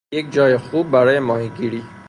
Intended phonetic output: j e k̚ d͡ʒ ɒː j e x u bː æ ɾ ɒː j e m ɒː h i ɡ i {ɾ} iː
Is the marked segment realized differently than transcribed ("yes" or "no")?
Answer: no